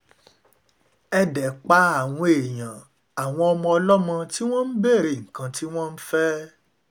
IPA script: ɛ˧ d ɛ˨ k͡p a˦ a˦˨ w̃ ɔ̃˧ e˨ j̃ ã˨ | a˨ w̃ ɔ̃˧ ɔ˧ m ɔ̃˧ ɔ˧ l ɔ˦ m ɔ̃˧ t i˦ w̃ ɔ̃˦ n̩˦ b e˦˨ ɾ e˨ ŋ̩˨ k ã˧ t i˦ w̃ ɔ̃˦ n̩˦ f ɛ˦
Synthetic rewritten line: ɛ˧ d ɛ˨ k͡p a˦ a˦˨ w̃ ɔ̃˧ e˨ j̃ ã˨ | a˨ w̃ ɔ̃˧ ɔ˧ m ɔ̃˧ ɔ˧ l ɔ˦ m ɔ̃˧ t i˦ w̃ ɔ̃˦ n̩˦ b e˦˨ ɾ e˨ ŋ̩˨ k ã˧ t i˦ w̃ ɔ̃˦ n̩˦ f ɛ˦